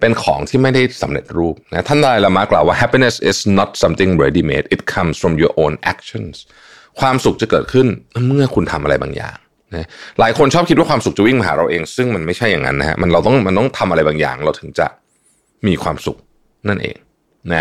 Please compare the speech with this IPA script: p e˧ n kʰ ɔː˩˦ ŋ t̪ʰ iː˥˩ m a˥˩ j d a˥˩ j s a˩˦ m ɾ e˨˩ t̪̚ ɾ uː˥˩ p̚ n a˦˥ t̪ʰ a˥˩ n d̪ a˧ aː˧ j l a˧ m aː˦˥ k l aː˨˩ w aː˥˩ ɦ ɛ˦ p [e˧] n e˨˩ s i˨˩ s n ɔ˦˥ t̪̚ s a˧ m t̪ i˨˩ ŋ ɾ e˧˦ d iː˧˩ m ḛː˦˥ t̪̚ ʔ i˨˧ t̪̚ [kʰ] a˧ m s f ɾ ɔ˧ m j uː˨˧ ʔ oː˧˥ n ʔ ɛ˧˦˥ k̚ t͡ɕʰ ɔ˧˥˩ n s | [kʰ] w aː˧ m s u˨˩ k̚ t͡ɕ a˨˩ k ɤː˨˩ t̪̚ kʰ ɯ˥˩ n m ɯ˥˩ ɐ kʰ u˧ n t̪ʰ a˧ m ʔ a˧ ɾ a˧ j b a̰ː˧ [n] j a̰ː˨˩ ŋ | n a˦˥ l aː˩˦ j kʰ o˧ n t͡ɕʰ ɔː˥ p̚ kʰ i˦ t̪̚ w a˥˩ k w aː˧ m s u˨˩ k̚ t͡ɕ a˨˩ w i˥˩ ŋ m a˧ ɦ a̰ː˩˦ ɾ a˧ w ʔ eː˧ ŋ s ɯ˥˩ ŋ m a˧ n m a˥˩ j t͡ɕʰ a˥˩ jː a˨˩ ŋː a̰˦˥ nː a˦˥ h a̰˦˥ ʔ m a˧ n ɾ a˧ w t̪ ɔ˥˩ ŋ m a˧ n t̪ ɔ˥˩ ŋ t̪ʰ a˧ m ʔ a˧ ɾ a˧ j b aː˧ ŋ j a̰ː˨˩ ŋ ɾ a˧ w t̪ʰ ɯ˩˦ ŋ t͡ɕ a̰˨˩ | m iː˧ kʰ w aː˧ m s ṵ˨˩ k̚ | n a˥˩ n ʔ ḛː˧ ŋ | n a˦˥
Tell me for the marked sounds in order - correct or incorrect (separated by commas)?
incorrect, correct, correct, incorrect